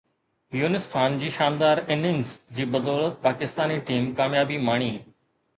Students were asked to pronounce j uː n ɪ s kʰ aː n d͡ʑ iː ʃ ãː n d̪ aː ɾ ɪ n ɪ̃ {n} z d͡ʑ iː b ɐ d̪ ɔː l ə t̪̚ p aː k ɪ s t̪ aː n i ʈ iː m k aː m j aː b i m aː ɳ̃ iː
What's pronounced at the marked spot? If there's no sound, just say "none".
ŋ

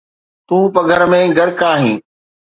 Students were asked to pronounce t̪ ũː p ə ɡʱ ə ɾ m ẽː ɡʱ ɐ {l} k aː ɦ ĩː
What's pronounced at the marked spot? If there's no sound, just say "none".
ɾ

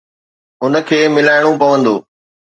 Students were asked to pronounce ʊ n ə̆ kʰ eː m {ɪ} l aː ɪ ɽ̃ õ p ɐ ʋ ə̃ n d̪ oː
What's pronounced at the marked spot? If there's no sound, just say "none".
ɪ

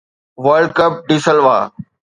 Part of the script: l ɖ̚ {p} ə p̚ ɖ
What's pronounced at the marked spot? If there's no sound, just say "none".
k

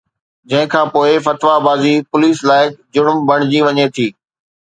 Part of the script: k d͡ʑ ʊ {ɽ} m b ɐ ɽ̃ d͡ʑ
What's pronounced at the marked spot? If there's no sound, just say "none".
ɽ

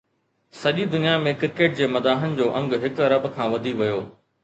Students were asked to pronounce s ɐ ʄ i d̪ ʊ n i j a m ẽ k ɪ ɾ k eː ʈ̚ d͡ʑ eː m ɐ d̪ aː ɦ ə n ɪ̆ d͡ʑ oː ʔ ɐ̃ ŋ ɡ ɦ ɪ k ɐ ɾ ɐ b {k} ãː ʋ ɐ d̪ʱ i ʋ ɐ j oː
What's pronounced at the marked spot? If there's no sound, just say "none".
kʰ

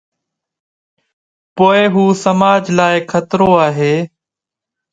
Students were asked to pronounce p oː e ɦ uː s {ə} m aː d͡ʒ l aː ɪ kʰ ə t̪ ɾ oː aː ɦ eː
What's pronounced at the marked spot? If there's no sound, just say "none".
ə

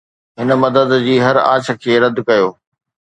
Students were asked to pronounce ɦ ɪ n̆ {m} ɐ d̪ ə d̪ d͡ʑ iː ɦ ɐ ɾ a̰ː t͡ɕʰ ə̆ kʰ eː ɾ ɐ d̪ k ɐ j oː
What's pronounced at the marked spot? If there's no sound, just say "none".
m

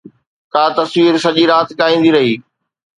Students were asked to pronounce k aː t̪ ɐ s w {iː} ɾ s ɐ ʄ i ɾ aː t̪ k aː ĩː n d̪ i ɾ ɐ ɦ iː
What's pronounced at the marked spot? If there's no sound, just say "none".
iː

